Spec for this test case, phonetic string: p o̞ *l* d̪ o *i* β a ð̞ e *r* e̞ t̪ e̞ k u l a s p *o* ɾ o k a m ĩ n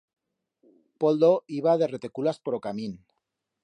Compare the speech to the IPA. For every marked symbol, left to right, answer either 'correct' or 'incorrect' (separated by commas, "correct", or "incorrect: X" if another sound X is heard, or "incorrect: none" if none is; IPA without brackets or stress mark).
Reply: correct, correct, correct, correct